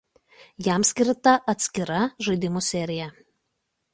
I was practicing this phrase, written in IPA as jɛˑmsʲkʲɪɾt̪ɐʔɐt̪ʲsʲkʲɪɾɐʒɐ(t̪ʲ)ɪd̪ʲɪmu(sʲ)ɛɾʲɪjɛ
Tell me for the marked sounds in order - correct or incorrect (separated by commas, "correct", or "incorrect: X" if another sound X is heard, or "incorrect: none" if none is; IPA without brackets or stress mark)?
incorrect: none, correct